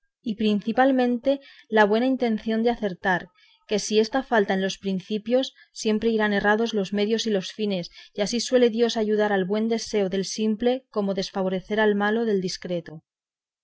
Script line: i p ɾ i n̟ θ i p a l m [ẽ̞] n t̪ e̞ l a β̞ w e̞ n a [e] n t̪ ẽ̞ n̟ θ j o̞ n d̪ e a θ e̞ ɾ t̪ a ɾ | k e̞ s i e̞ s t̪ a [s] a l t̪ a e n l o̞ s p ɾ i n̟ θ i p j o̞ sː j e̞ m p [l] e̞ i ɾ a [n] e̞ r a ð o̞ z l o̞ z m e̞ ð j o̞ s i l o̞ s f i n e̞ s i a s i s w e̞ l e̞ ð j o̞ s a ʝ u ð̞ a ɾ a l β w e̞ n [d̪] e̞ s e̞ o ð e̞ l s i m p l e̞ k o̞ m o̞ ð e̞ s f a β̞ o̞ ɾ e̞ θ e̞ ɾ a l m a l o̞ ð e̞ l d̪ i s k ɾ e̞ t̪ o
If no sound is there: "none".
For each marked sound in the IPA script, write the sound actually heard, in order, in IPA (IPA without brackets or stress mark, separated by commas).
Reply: ẽ̞, i, f, ɾ, n, d̪